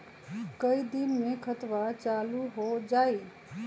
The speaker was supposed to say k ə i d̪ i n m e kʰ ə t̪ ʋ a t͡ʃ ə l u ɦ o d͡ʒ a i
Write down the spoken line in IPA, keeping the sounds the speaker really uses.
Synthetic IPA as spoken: k ə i d̪ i n m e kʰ ə t̪ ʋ a t͡ʃ a l u ɦ o d͡ʒ a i

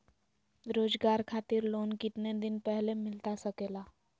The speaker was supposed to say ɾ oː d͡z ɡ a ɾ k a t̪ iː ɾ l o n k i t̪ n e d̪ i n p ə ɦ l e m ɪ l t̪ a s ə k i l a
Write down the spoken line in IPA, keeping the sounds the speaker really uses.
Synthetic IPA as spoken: ɾ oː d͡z ɡ a ɾ kʰ a t̪ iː ɾ l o n k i t̪ n e d̪ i n p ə ɦ l e m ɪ l t̪ a s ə k e l a

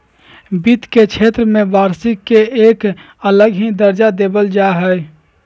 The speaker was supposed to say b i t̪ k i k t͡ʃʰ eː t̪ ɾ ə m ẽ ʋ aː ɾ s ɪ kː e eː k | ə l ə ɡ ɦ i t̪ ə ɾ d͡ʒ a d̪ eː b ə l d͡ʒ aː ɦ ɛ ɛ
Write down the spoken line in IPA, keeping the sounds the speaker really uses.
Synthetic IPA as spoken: b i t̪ k e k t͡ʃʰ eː t̪ ɾ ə m ẽ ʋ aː ɾ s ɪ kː e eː k | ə l ə ɡ ɦ i d̪ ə ɾ d͡ʒ a d̪ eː b ə l d͡ʒ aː ɦ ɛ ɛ

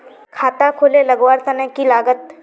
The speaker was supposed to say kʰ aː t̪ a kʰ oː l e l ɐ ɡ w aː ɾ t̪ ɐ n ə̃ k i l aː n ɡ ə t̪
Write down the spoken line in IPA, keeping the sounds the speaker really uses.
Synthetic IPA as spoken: kʰ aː t̪ a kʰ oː l e l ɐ ɡ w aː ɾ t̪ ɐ n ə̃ k i l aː ɡ ə t̪

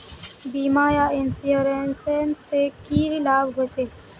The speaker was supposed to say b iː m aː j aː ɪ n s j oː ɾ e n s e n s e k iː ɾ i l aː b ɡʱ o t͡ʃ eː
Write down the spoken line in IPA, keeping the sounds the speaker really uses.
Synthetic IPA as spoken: b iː m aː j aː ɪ n s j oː ɾ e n s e n s e k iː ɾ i l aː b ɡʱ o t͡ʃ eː

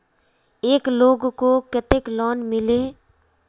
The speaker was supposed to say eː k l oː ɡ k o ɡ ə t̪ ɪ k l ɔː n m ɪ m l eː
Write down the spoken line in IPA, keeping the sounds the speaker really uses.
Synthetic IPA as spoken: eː k l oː ɡ k o k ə t̪ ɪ k l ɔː n m ɪ l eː

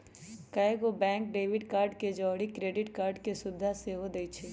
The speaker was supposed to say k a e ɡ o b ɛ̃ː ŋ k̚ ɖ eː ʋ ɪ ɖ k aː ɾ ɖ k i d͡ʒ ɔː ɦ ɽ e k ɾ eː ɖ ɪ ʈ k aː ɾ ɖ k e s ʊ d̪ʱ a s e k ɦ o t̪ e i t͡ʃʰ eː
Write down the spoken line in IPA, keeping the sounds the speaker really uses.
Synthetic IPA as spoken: k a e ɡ o b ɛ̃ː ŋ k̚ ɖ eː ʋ ɪ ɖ k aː ɾ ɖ k e d͡ʒ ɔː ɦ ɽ i k ɾ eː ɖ ɪ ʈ k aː ɾ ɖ k e s ʊ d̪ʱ a s e ɦ o d̪ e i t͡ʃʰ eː

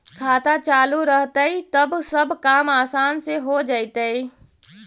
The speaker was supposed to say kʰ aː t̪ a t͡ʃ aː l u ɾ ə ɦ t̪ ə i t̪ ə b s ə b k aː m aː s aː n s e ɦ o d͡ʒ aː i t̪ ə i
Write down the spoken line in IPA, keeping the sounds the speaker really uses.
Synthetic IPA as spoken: kʰ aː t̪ a t͡ʃ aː l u ɾ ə ɦ t̪ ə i t̪ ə b s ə b k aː m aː s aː n s e ɦ o d͡ʒ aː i t̪ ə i

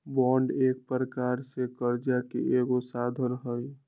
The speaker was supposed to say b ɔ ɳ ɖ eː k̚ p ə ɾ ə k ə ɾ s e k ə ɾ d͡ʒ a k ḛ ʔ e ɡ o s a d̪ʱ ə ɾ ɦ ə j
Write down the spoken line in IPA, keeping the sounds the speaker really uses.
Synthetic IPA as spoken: b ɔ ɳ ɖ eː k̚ p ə ɾ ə k a ɾ s e k ə ɾ d͡ʒ a k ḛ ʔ e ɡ o s a d̪ʱ ə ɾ ɦ ə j

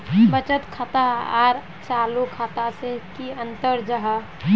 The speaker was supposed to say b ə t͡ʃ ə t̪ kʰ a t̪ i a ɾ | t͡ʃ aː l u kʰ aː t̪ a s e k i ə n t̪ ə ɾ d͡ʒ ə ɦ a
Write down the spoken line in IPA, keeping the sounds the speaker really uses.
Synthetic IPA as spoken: b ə t͡ʃ ə t̪ kʰ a t̪ a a ɾ | t͡ʃ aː l u kʰ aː t̪ a s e k i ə n t̪ ə ɾ d͡ʒ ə ɦ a

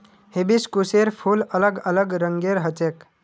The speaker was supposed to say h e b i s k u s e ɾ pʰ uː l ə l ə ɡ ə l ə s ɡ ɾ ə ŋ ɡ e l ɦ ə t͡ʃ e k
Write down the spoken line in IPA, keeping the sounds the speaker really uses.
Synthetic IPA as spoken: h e b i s k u s e ɾ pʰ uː l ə l ə ɡ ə l ə ɡ ɾ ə ŋ ɡ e ɾ ɦ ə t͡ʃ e k

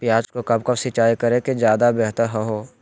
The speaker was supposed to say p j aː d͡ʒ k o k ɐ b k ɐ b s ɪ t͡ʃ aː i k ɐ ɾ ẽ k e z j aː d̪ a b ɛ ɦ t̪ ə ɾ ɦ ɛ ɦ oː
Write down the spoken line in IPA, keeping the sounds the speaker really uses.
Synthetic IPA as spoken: p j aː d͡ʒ k o k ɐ b k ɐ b s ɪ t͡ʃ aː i k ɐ ɾ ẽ k e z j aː d̪ a b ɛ ɦ t̪ ə ɾ ɦ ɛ ɦ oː

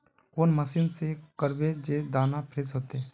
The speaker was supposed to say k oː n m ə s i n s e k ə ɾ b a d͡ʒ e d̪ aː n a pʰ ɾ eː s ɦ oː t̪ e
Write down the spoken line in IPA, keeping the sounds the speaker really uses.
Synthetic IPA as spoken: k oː n m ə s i n s e k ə ɾ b e d͡ʒ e d̪ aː n a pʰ ɾ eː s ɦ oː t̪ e

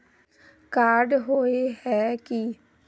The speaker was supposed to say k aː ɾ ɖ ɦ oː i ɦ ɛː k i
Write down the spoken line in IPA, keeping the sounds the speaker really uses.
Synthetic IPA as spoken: k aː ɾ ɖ ɦ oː e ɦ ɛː k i

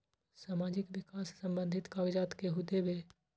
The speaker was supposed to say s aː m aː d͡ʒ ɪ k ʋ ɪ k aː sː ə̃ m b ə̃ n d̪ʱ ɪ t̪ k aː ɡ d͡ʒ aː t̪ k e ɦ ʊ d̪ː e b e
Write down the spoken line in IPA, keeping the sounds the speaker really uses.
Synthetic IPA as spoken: s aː m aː d͡ʒ ɪ k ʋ ɪ k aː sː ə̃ m b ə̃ n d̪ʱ ɪ t̪ k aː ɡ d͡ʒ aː t̪ k e ɦ ʊ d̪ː e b e

